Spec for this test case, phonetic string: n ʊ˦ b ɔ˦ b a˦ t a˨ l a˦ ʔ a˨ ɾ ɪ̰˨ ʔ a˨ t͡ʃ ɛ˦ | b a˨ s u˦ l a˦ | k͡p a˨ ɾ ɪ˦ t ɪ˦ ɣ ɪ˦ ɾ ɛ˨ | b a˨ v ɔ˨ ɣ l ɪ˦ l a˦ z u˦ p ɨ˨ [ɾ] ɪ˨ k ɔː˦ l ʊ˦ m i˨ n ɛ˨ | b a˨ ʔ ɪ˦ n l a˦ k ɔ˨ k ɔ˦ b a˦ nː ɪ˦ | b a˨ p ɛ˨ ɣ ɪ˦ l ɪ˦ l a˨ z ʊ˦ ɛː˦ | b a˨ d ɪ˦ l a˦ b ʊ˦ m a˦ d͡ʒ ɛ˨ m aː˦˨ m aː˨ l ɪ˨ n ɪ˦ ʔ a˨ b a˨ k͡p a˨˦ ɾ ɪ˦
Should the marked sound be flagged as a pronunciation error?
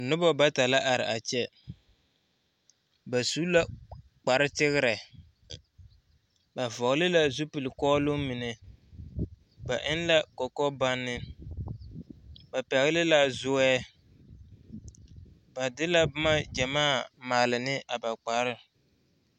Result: yes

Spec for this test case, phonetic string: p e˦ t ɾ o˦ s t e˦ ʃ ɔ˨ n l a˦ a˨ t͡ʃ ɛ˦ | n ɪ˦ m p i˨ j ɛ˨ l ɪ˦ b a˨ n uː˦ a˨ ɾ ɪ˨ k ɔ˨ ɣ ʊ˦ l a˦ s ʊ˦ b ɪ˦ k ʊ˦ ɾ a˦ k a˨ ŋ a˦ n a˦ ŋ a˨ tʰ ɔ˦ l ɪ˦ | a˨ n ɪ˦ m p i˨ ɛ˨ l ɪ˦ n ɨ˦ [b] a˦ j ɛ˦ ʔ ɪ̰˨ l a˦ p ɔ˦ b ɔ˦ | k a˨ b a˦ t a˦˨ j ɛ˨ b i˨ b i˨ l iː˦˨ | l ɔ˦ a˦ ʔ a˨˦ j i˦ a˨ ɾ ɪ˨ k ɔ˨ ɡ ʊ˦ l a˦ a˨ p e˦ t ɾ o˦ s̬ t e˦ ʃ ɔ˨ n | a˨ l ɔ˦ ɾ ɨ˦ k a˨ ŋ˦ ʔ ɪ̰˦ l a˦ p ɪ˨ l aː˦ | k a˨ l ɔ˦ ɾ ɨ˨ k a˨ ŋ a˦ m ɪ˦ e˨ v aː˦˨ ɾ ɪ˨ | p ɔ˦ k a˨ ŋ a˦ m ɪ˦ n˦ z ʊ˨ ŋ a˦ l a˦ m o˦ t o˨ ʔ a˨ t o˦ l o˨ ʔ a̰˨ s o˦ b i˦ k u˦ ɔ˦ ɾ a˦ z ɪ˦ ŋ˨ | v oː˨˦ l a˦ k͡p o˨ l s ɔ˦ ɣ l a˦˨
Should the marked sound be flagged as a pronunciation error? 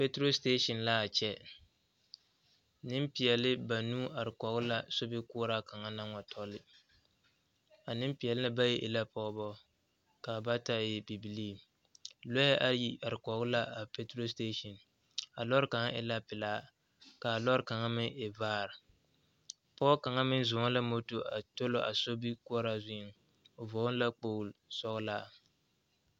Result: no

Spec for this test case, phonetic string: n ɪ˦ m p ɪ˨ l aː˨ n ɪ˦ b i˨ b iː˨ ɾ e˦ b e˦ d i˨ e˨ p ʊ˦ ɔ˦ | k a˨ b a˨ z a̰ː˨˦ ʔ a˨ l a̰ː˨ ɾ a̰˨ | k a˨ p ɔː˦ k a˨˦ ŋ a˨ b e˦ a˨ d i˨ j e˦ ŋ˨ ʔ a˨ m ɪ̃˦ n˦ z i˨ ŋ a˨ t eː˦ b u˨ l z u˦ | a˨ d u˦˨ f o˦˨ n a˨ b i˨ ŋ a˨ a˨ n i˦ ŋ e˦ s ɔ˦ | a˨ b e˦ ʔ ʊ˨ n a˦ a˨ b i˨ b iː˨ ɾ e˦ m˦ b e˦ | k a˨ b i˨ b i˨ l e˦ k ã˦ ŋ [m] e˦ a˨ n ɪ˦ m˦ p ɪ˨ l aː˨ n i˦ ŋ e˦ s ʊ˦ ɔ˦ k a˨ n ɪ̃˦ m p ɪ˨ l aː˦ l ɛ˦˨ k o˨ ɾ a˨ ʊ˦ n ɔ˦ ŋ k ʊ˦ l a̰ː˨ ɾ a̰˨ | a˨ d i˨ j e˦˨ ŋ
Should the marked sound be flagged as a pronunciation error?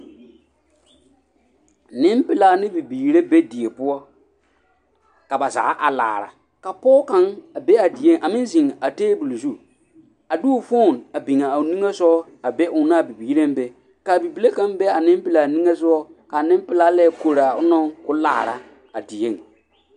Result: yes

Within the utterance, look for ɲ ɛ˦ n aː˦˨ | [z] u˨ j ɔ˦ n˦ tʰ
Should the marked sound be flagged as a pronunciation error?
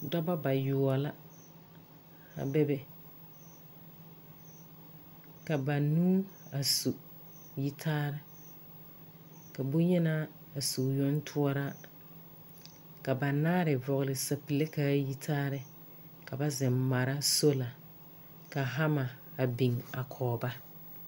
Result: yes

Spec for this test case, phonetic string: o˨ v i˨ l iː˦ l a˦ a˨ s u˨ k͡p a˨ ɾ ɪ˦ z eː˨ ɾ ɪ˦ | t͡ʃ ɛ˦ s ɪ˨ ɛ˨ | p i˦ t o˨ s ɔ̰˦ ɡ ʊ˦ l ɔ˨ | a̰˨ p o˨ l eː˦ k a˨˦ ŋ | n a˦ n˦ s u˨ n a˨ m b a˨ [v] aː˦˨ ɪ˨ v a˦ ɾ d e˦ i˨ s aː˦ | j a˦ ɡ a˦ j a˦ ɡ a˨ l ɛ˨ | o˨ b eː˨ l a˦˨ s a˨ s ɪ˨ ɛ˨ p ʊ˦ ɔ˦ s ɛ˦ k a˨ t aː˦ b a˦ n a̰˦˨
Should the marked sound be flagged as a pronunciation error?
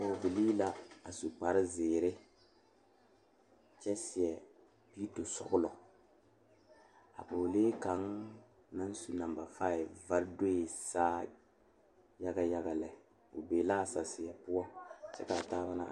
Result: yes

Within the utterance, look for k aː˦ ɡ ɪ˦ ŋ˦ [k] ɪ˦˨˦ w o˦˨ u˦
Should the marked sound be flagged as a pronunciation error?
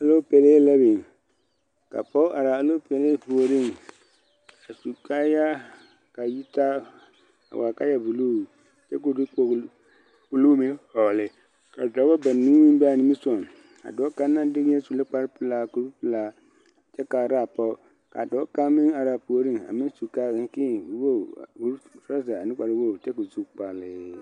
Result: no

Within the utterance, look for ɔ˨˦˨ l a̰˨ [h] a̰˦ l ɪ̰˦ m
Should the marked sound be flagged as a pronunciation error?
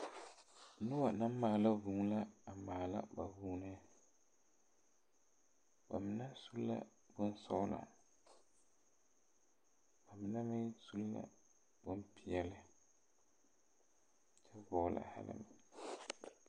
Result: no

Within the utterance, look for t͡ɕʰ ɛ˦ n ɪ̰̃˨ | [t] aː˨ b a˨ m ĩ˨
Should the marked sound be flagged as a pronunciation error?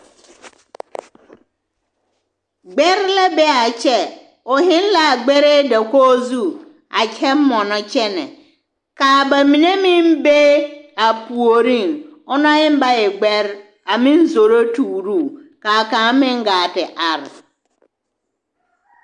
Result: yes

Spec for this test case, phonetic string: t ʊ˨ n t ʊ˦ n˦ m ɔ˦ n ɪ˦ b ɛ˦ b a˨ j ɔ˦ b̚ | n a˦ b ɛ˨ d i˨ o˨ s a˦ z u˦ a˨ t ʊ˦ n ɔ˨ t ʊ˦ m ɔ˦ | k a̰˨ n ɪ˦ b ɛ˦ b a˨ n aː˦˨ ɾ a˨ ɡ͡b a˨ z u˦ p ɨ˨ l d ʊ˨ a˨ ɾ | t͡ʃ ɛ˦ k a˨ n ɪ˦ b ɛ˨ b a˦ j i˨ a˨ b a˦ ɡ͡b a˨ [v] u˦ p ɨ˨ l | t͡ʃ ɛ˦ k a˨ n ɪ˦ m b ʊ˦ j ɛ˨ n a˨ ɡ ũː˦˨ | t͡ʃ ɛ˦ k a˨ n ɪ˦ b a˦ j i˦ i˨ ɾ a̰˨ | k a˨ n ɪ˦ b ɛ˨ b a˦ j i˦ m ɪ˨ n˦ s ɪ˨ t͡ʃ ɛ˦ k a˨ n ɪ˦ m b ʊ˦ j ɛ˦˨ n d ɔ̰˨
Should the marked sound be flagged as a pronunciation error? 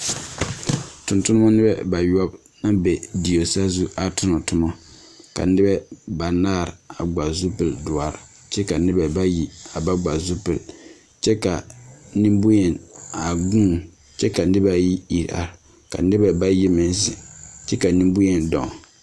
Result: yes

